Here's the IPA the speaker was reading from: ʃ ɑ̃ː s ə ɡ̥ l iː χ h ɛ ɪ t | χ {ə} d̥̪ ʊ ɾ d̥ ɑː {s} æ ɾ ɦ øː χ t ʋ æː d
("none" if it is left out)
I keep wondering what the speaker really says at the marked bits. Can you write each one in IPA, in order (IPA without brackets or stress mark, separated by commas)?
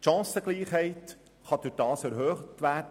ɑ, s